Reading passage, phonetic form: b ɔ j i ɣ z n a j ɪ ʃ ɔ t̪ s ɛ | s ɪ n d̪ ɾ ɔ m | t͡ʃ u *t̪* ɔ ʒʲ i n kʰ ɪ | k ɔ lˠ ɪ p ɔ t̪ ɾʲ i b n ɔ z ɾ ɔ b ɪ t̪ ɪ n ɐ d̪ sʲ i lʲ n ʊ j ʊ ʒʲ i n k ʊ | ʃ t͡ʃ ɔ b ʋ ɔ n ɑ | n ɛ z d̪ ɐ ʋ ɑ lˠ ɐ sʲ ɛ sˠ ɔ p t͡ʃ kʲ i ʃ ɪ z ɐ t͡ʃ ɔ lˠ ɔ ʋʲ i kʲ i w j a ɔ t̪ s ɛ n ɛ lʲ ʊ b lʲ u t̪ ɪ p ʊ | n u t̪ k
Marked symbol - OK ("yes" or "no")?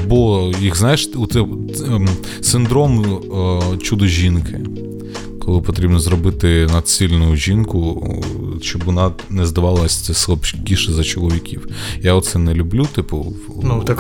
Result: no